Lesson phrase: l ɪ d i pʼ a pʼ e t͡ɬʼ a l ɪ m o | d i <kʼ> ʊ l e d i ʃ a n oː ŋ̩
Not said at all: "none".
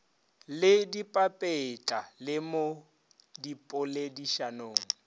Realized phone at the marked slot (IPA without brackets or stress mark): pʼ